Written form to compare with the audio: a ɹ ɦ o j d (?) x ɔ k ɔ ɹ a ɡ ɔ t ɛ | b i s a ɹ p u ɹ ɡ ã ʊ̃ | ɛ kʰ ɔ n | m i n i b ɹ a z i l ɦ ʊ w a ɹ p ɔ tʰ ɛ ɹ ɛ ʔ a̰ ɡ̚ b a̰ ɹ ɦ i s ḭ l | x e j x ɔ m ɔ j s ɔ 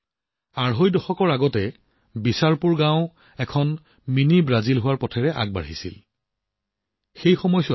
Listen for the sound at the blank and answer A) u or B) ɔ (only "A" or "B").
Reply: B